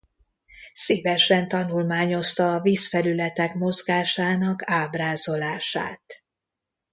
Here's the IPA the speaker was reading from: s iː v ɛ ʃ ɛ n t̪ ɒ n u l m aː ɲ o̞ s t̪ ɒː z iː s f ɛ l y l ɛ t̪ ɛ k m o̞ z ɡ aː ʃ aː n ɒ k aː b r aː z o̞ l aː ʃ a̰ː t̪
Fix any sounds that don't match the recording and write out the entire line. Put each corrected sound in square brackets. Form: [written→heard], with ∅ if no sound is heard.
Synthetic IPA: s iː v ɛ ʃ ɛ n t̪ ɒ n u l m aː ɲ o̞ s t̪ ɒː [z→v] iː s f ɛ l y l ɛ t̪ ɛ k m o̞ z ɡ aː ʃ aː n ɒ k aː b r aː z o̞ l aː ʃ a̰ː t̪